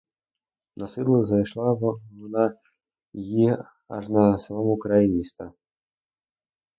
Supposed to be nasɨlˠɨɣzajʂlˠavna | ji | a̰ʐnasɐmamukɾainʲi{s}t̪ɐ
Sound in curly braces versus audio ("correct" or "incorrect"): correct